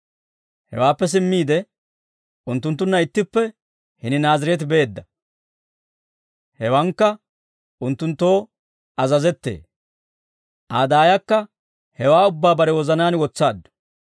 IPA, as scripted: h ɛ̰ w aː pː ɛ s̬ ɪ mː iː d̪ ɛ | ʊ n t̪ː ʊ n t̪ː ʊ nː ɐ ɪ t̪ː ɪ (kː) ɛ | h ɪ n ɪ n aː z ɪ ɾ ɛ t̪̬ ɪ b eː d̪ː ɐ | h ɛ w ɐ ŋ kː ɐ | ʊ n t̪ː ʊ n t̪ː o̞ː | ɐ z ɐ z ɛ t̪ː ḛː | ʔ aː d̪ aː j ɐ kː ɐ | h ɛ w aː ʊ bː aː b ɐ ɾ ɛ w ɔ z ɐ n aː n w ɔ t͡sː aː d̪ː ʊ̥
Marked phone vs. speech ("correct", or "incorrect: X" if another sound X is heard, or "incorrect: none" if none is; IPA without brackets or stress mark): incorrect: pː